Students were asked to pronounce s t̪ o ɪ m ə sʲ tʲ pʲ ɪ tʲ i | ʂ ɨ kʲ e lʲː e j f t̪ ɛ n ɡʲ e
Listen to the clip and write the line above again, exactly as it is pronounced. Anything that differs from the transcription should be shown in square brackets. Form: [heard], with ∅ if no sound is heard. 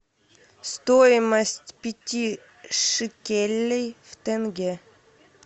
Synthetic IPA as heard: s t̪ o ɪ m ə sʲ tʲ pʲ ɪ tʲ i | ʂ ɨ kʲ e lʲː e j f t̪ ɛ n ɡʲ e